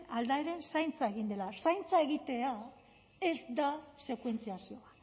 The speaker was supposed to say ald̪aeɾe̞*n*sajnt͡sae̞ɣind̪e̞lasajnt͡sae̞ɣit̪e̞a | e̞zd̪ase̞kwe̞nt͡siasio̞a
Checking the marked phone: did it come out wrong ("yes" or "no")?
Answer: no